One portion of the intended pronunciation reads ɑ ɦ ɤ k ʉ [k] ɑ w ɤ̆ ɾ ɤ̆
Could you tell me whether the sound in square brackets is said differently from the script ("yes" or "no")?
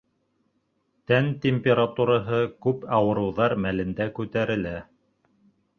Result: yes